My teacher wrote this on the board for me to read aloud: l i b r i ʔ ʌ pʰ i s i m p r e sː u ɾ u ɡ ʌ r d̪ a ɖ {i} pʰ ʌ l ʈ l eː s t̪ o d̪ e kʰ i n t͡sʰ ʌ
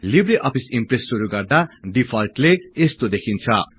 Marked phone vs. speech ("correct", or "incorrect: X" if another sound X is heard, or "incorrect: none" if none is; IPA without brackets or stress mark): correct